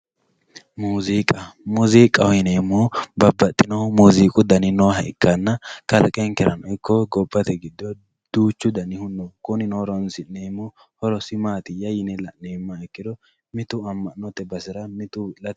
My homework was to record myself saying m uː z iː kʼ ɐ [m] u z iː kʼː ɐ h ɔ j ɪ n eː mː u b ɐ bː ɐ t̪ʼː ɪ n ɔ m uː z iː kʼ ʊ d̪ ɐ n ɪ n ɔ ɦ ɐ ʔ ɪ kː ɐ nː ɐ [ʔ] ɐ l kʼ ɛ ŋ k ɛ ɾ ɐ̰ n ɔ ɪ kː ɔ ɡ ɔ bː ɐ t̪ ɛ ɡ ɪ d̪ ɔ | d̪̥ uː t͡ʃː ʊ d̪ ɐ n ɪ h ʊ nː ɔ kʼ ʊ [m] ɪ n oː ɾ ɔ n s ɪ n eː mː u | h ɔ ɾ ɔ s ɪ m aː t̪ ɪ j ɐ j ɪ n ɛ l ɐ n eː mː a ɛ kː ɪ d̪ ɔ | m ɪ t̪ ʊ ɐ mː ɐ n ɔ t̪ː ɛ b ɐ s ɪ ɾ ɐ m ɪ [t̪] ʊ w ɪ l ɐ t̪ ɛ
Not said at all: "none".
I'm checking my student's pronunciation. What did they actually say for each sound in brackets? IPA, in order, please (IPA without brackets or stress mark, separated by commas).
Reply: m, k, n, t̪